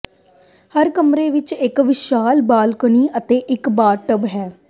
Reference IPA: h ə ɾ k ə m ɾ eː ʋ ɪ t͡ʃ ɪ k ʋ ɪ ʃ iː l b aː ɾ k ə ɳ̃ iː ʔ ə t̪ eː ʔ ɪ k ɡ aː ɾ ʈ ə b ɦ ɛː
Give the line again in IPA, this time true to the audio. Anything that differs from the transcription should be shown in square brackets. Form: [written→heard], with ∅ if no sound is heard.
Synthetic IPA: h ə ɾ k ə m ɾ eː ʋ ɪ t͡ʃ ɪ k ʋ ɪ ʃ [iː→aː] l b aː [ɾ→l] k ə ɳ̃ iː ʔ ə t̪ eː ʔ ɪ k [ɡ→b] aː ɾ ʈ ə b ɦ ɛː

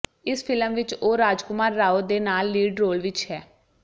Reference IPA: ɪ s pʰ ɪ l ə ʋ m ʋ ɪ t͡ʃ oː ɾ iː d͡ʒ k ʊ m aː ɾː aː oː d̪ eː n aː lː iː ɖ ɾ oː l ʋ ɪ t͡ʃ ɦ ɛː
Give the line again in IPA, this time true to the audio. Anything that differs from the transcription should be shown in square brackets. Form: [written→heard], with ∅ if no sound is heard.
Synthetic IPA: ɪ s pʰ ɪ l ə [ʋ→∅] m ʋ ɪ t͡ʃ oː ɾ [iː→aː] d͡ʒ k ʊ m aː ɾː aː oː d̪ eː n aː lː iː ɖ ɾ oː l ʋ ɪ t͡ʃ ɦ ɛː

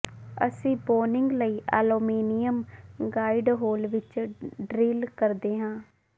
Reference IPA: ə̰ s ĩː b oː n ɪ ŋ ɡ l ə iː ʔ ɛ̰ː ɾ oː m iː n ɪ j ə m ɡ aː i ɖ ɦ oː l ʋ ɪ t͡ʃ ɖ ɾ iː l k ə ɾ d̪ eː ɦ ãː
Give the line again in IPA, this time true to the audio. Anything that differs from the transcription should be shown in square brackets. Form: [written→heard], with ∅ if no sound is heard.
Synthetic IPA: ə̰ s ĩː b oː n ɪ ŋ ɡ l ə iː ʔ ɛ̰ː [ɾ→l] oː m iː n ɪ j ə m ɡ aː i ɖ ɦ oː l ʋ ɪ t͡ʃ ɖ ɾ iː l k ə ɾ d̪ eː ɦ ãː

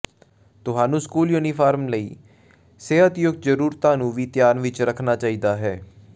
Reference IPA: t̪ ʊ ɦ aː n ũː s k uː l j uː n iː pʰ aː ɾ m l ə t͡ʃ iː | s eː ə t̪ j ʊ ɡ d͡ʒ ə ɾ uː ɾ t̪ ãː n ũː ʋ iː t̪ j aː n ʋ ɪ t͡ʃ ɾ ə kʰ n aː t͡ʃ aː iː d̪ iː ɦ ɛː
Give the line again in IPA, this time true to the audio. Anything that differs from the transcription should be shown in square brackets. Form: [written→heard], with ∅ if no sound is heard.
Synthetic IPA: t̪ ʊ ɦ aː n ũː s k uː l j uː n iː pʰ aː ɾ m l ə [t͡ʃ→∅] iː | s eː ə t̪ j ʊ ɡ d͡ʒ ə ɾ uː ɾ t̪ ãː n ũː ʋ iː t̪ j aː n ʋ ɪ t͡ʃ ɾ ə kʰ n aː t͡ʃ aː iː d̪ [iː→aː] ɦ ɛː

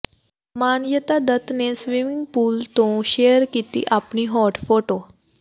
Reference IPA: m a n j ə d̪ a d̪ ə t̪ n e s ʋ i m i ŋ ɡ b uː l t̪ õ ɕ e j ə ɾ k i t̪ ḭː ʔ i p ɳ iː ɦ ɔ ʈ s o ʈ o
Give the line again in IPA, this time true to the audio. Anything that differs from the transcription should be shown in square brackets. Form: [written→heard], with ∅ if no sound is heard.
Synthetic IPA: m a n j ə [d̪→t̪] a d̪ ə t̪ n e s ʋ i m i ŋ ɡ [b→p] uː l t̪ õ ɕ e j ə ɾ k i t̪ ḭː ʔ [i→a] p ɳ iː ɦ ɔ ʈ [s→f] o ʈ o

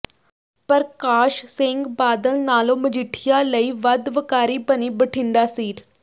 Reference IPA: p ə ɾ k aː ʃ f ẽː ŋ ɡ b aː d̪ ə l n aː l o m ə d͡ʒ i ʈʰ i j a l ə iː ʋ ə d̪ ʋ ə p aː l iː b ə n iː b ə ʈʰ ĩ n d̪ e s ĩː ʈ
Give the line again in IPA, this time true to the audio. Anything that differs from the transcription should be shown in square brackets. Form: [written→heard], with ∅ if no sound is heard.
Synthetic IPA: p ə ɾ k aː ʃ [f→s] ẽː ŋ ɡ b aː d̪ ə l n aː l o m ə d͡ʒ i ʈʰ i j a l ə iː ʋ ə d̪ ʋ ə [p→k] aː [l→ɾ] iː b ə n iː b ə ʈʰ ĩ n d̪ [e→a] s [ĩː→iː] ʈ

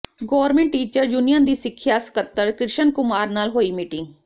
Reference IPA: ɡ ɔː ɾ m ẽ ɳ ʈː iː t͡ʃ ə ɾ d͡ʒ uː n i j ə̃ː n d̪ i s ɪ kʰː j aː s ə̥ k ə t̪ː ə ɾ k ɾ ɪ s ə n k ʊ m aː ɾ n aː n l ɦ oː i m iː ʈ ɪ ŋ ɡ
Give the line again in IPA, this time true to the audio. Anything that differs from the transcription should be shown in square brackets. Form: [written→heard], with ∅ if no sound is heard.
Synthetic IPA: ɡ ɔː ɾ m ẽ ɳ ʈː iː t͡ʃ ə ɾ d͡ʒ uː n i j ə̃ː n d̪ [i→iː] s ɪ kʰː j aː s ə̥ k ə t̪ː ə ɾ k ɾ ɪ [s→ʃ] ə n k ʊ m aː ɾ n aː [n→∅] l ɦ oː [i→iː] m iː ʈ ɪ ŋ ɡ

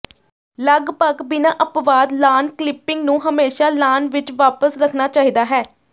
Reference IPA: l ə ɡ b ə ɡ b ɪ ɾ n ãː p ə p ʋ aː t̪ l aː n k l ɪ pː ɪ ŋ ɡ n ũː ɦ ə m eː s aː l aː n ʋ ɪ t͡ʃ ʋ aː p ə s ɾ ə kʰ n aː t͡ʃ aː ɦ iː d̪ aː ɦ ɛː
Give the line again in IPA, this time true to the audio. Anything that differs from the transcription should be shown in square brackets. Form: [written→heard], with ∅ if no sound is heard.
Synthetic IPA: l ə ɡ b ə ɡ b ɪ [ɾ→∅] n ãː [p→ʔ] ə p ʋ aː [t̪→d̪] l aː n k l ɪ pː ɪ ŋ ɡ n ũː ɦ ə m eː [s→ʃ] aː l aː n ʋ ɪ t͡ʃ ʋ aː p ə s ɾ ə kʰ n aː t͡ʃ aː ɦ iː d̪ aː ɦ ɛː

